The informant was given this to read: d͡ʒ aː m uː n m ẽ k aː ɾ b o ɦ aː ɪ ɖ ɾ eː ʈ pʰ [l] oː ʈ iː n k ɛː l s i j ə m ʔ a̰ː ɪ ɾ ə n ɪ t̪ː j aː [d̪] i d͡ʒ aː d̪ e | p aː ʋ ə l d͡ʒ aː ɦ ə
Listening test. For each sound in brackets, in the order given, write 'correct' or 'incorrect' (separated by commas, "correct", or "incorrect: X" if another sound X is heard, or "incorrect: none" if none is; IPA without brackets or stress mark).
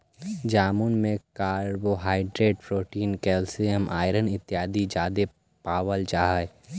incorrect: ɾ, correct